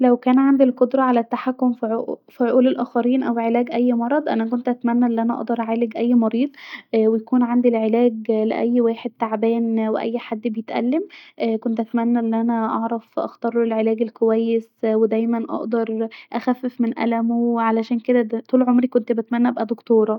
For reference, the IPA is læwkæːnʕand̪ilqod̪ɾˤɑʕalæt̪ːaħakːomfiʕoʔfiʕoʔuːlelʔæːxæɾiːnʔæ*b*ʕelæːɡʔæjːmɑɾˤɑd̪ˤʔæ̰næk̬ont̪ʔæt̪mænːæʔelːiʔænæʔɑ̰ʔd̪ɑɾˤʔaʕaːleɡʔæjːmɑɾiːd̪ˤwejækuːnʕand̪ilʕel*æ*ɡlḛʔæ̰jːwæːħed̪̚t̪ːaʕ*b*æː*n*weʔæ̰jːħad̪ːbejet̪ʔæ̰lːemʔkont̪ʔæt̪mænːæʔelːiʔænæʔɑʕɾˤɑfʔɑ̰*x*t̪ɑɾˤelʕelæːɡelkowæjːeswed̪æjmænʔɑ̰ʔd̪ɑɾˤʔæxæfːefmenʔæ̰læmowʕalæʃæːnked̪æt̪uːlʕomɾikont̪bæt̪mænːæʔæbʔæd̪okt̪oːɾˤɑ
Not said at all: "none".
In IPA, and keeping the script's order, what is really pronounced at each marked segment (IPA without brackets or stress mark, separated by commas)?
w, æː, b, n, x